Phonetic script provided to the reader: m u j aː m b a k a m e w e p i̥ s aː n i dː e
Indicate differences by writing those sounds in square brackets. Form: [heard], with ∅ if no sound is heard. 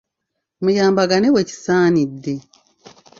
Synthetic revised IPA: m u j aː m b a [ɡ] a [n] e w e [c] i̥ s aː n i dː e